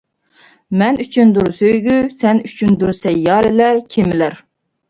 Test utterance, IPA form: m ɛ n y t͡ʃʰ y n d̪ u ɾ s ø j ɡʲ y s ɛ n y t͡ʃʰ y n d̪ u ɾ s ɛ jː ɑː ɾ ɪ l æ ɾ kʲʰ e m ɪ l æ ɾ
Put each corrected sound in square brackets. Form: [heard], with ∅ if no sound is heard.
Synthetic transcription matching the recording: m ɛ n y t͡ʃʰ y n d̪ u ɾ s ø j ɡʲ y s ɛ n y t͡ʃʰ y n d̪ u ɾ s ɛ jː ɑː ɾ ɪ l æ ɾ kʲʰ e m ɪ l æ ɾ